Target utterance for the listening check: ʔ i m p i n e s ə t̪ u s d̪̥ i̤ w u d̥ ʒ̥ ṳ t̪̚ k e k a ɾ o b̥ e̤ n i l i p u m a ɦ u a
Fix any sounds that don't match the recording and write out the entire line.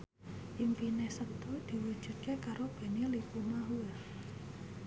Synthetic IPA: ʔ i m p i n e s ə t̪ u d̪̥ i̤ w u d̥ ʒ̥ ṳ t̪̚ k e k a ɾ o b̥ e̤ n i l i p u m a ɦ u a